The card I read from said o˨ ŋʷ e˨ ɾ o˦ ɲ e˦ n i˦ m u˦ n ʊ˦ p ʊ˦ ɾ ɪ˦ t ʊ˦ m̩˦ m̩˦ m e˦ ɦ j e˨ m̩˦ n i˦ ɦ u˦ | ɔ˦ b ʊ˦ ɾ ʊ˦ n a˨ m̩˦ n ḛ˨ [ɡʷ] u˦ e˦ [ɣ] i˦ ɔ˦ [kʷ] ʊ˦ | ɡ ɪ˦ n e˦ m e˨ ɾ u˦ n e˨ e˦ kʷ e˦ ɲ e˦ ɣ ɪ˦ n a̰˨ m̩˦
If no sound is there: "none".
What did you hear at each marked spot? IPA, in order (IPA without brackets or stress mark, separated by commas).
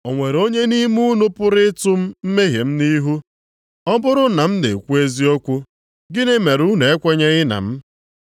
kʷ, z, kʷ